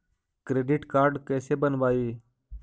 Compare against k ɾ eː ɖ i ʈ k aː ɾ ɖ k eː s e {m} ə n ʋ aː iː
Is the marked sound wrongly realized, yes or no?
yes